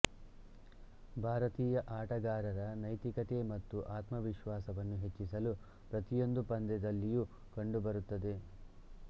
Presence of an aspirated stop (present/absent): absent